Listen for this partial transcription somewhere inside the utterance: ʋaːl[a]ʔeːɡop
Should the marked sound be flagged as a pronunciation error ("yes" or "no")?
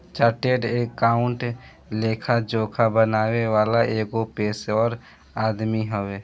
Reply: no